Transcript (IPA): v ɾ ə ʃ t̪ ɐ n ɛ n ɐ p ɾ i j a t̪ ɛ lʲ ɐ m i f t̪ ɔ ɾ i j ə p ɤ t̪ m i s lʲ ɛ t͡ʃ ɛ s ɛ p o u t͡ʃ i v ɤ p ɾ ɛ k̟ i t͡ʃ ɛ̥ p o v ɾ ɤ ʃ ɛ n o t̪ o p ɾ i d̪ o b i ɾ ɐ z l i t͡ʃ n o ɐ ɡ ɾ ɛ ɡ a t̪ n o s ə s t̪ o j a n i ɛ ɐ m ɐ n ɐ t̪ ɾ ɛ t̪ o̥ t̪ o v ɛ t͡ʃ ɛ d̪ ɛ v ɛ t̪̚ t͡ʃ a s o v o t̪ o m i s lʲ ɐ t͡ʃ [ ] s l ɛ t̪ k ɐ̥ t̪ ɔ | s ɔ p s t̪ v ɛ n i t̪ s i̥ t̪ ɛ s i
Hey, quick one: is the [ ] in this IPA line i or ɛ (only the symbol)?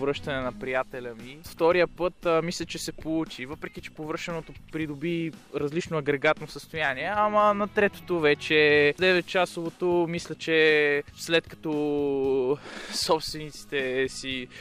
ɛ